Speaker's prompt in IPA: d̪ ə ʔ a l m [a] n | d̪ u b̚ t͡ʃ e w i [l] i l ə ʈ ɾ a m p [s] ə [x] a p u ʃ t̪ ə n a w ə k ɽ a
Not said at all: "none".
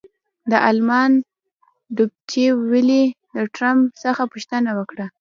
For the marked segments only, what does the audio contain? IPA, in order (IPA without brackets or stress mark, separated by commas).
ɑ, l, s, x